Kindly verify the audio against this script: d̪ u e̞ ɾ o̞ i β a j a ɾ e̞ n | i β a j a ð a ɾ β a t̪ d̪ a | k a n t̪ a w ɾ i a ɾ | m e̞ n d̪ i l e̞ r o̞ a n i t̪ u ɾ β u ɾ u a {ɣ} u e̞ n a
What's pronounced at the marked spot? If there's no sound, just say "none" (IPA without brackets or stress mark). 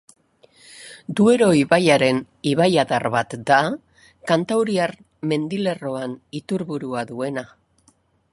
ð